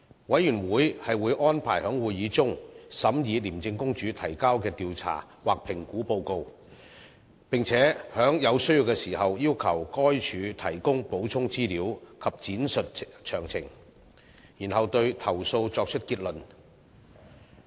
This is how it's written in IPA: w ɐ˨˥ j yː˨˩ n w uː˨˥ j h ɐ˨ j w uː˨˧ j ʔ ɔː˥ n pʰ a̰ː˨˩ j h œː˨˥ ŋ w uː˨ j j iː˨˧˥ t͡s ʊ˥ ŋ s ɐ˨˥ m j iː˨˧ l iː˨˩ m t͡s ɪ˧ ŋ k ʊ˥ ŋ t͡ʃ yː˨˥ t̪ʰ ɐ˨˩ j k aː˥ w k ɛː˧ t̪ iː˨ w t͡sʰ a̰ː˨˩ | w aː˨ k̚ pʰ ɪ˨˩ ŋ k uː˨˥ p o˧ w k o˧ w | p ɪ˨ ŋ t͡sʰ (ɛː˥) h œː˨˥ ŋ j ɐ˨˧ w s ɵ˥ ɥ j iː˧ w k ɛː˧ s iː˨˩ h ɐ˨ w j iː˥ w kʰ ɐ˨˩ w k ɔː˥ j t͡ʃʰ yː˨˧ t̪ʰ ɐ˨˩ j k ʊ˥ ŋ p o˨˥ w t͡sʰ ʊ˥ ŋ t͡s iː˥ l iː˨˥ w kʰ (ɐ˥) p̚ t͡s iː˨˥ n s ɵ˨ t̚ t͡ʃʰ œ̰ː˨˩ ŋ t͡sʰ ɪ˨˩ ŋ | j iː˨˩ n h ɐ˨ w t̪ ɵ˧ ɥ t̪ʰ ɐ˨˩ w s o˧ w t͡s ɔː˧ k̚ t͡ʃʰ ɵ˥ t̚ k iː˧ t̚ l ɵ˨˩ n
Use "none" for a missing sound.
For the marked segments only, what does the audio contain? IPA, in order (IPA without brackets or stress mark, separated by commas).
ɛː˨˥, ɐ˨